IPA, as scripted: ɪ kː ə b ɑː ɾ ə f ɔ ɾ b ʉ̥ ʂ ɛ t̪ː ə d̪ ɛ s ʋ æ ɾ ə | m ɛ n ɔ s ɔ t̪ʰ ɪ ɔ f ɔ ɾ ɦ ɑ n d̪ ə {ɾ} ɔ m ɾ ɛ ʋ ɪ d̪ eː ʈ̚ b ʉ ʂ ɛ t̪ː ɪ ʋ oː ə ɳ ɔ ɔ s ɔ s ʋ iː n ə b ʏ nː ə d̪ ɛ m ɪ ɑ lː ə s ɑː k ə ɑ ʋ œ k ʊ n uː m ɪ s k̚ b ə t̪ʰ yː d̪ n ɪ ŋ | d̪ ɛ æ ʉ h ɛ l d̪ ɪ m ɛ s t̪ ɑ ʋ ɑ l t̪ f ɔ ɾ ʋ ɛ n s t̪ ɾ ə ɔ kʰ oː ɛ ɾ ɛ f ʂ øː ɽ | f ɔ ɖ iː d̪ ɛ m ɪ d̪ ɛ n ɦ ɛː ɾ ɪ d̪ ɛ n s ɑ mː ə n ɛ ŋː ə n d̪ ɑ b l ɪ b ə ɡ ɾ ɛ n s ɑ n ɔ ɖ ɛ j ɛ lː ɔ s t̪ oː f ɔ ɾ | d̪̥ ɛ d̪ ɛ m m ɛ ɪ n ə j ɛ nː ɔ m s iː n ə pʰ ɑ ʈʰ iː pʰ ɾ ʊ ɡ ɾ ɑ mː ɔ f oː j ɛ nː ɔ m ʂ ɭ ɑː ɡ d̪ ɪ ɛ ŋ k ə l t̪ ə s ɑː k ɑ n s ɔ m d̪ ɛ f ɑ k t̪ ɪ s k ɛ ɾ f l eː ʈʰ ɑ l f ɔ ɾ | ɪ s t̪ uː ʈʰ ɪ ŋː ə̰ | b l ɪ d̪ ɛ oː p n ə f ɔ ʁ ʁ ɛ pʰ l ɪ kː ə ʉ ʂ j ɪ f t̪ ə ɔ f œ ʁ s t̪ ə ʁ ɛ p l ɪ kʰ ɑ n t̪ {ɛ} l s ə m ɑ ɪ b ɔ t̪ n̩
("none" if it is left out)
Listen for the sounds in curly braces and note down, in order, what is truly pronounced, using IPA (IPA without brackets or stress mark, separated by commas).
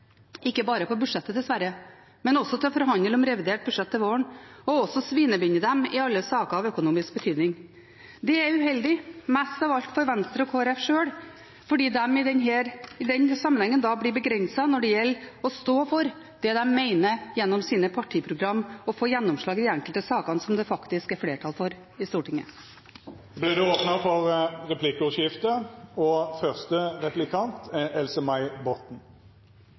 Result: l, ɛ